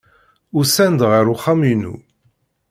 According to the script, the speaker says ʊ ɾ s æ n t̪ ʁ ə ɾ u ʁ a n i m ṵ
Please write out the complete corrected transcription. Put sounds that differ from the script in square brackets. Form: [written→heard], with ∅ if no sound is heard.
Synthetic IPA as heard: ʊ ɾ s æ n [t̪→d̪] ʁ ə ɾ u [ʁ→χ] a [n→m] i [m→n] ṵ